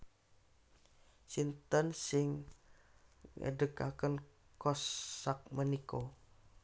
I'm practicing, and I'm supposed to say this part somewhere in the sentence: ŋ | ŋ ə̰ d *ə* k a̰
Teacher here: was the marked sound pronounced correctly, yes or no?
yes